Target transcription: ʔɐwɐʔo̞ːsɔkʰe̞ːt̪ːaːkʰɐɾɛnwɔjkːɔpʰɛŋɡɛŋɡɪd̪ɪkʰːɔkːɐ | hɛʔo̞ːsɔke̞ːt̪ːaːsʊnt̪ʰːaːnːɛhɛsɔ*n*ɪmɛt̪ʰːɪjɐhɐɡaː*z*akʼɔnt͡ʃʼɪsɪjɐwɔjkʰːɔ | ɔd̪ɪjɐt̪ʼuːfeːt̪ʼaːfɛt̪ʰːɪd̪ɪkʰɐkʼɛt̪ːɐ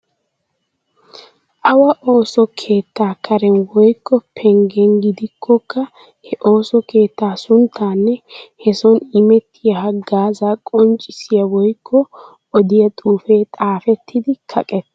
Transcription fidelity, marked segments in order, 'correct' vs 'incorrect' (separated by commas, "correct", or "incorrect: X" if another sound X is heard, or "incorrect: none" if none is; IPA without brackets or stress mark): correct, correct